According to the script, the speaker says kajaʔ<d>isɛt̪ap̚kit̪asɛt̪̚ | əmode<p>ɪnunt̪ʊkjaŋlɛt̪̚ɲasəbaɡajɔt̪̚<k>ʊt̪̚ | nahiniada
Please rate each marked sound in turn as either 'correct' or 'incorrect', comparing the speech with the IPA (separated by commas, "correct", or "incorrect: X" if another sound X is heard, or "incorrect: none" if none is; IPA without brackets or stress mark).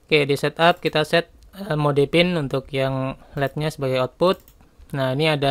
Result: correct, correct, incorrect: p